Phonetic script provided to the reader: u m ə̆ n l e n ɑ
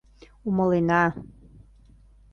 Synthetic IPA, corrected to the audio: u m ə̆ l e n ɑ